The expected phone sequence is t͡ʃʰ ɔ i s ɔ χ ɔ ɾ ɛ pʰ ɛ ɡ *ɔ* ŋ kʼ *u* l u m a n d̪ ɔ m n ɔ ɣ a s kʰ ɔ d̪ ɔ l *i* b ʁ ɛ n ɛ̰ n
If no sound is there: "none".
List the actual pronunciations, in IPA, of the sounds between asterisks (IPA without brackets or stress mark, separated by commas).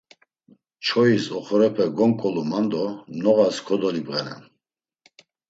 ɔ, ɔ, i